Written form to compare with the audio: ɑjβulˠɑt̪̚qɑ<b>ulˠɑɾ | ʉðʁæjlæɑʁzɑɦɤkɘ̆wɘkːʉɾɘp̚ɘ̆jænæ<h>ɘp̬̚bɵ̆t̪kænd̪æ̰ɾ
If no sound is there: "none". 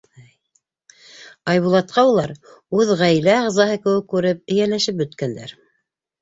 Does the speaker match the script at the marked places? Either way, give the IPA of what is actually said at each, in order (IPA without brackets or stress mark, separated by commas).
none, ʃ